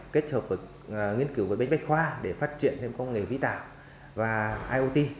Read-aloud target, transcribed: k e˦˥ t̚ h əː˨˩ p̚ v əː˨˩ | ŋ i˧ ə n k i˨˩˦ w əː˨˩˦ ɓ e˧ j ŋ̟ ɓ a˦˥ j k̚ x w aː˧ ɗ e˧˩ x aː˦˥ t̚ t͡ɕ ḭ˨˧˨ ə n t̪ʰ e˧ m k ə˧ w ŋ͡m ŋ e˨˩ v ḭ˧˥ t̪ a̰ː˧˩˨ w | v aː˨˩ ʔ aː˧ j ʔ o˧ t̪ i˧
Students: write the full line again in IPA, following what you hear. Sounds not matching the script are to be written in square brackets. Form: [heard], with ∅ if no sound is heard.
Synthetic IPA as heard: k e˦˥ t̚ h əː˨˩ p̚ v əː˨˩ | ŋ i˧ ə n k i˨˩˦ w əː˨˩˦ ɓ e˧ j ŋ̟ ɓ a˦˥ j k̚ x w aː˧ ɗ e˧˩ [f] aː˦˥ t̚ t͡ɕ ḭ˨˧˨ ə n t̪ʰ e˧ m k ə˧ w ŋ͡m ŋ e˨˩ v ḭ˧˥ t̪ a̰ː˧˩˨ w | v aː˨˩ ʔ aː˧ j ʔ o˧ t̪ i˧